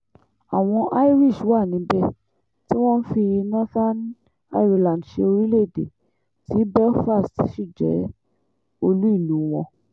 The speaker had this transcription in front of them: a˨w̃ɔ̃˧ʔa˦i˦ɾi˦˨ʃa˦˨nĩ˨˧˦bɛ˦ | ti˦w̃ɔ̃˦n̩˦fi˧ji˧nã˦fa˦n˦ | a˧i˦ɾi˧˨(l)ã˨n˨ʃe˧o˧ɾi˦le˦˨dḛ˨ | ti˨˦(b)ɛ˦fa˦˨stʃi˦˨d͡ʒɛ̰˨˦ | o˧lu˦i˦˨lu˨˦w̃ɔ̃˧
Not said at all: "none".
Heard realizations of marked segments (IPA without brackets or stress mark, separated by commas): l, b